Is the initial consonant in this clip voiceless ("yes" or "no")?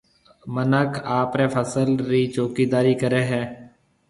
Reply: no